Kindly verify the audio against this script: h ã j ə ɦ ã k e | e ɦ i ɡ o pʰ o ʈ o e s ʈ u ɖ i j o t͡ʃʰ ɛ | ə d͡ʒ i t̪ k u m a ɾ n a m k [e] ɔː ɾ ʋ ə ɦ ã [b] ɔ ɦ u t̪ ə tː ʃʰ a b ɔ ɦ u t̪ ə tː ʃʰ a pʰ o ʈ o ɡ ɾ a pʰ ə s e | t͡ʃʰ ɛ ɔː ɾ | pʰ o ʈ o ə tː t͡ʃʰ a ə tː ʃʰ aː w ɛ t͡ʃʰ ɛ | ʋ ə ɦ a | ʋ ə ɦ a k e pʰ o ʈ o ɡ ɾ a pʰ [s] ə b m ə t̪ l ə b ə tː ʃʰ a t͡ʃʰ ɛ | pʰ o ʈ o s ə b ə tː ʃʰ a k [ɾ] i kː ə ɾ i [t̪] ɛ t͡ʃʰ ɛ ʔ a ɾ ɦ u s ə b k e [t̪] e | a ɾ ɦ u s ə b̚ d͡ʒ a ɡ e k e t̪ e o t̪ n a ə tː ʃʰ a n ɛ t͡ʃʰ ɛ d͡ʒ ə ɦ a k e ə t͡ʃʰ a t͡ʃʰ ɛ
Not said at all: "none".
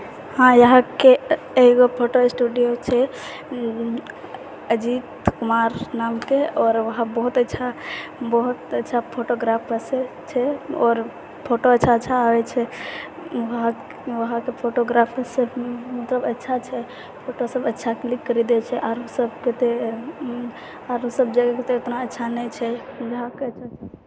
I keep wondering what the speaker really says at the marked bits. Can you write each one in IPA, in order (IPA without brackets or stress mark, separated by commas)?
e, b, s, l, d̪, t̪